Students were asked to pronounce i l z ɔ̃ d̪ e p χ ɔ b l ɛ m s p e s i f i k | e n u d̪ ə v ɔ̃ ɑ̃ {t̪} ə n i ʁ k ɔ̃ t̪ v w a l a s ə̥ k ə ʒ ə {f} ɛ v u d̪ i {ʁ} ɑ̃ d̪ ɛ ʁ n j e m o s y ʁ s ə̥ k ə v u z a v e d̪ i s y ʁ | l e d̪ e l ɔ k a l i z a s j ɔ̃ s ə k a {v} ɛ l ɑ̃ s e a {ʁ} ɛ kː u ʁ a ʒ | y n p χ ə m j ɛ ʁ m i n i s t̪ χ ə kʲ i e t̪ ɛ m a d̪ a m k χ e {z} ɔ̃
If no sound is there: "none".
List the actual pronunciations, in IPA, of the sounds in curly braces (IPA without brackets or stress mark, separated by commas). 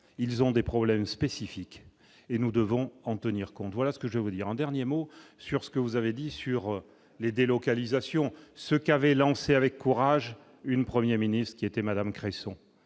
t̪, v, ʁ, v, v, s